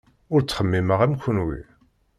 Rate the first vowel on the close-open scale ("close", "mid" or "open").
close